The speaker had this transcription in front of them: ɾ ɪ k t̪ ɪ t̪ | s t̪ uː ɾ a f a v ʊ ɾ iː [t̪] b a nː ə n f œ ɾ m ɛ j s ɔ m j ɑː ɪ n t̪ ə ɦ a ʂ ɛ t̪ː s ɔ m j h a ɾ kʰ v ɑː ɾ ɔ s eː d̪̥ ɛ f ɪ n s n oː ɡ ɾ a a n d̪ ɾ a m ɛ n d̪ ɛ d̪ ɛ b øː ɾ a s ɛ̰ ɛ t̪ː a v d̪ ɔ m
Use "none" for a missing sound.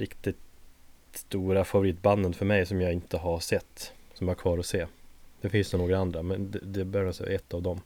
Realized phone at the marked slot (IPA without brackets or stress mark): t̪